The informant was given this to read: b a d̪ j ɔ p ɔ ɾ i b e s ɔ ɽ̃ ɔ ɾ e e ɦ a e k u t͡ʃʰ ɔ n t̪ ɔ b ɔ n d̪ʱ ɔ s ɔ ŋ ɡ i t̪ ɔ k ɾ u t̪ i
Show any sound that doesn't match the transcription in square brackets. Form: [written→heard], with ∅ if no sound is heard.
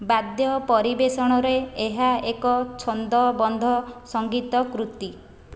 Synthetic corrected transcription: b a d̪ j ɔ p ɔ ɾ i b e s ɔ ɽ̃ ɔ ɾ e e ɦ a e k [u→ɔ] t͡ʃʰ ɔ n [t̪→d̪] ɔ b ɔ n d̪ʱ ɔ s ɔ ŋ ɡ i t̪ ɔ k ɾ u t̪ i